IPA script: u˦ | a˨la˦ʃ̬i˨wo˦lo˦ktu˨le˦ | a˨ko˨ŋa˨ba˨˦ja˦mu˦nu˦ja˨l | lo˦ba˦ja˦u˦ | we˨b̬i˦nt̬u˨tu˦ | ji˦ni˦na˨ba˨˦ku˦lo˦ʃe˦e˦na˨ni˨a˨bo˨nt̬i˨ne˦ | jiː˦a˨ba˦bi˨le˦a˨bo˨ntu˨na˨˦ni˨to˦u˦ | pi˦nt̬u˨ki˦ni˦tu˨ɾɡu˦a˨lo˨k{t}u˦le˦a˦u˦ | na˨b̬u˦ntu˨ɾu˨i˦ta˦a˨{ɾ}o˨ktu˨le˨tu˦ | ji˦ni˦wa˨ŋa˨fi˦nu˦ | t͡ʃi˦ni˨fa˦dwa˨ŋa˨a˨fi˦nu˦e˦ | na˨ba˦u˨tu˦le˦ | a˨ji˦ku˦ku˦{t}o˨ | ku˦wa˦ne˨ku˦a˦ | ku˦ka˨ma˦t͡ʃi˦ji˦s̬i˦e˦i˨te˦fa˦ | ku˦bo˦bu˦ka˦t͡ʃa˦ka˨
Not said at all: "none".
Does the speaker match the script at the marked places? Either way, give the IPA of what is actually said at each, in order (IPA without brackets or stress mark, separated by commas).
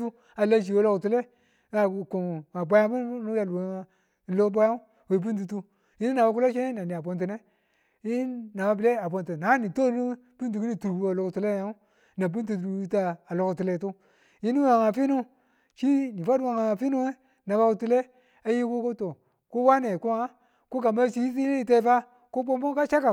t, l, t